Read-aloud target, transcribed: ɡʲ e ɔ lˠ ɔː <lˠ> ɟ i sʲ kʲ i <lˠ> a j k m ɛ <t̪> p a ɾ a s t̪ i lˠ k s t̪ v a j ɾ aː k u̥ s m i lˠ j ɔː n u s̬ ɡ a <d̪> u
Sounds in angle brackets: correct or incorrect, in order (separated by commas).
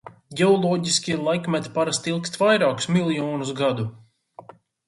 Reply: incorrect, correct, correct, correct